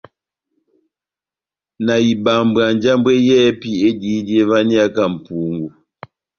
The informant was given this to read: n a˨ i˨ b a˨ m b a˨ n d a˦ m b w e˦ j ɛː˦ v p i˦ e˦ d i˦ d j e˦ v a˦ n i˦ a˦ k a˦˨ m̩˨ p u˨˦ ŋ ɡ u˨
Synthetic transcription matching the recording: n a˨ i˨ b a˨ m b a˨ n d͡ʒ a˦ m b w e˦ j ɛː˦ p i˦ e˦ d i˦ d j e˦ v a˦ n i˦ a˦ k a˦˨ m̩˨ p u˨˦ ŋ ɡ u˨